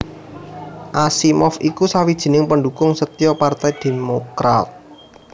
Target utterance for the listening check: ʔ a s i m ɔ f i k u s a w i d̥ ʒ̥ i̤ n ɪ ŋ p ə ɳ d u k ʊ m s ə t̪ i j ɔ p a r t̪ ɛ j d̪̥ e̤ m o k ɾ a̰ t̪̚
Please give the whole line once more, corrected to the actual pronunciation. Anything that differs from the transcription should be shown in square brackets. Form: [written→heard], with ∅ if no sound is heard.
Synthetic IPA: ʔ a s i m ɔ f i k u s a w i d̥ ʒ̥ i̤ n ɪ ŋ p ə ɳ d u k ʊ [m→ŋ] s ə t̪ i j ɔ p a r t̪ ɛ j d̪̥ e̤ m o k ɾ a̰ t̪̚